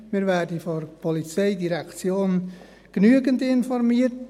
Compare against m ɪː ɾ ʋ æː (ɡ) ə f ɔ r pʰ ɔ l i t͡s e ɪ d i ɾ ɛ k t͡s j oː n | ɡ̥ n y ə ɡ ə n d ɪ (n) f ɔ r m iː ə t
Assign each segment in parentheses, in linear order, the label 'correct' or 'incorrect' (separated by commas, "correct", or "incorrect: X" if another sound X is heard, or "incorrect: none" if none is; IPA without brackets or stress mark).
incorrect: d, correct